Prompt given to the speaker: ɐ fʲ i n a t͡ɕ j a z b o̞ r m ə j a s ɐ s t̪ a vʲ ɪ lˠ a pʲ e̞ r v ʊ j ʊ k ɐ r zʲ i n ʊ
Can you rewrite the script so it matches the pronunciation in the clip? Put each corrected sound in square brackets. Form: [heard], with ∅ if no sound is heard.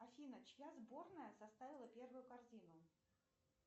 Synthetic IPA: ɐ fʲ i n [ə] t͡ɕ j a z b o̞ r [n] ə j [ə] s ɐ s t̪ a vʲ ɪ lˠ [ə] pʲ e̞ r v ʊ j ʊ k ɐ r zʲ i n ʊ